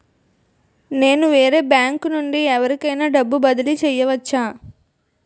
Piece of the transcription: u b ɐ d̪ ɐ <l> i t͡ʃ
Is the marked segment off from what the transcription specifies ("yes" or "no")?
no